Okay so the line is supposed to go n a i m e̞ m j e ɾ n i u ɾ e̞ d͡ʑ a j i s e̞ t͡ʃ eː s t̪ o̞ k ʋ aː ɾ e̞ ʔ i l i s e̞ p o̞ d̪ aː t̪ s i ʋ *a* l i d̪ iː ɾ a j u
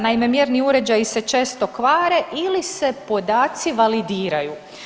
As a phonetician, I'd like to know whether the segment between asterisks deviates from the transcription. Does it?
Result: no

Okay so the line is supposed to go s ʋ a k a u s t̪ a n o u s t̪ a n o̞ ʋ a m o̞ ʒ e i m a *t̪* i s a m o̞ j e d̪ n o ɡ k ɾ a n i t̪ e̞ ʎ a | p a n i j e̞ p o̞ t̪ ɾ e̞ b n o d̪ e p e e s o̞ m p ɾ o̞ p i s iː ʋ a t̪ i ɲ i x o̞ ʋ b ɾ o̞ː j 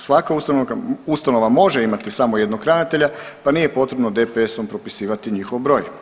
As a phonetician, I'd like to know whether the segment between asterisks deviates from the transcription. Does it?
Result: no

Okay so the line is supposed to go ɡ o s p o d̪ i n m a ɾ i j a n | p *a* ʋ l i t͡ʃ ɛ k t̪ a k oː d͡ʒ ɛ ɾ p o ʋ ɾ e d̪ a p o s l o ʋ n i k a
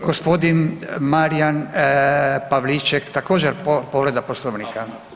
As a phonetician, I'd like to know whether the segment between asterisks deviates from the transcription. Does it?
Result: no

